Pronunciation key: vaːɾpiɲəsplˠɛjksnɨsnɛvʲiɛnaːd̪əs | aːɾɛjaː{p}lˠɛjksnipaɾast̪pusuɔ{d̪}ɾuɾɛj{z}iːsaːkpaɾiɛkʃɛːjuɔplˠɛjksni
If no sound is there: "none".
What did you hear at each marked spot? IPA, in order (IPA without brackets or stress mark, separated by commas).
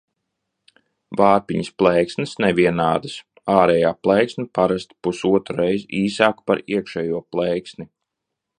p, t̪, z